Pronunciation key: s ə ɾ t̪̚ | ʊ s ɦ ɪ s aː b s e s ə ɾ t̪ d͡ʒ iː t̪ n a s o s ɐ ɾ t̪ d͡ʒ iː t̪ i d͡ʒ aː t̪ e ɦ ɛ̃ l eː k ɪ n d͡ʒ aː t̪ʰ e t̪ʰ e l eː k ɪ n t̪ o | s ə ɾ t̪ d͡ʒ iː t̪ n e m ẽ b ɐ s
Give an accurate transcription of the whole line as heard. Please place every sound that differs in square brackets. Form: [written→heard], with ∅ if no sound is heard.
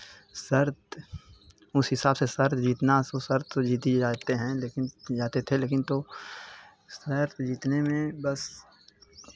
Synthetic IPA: s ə ɾ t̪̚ | ʊ s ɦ ɪ s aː b s e s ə ɾ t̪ d͡ʒ iː t̪ n a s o s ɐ ɾ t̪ d͡ʒ iː t̪ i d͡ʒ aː t̪ e ɦ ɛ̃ l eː k ɪ n d͡ʒ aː [t̪ʰ→t̪] e t̪ʰ e l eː k ɪ n t̪ o | s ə ɾ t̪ d͡ʒ iː t̪ n e m ẽ b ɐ s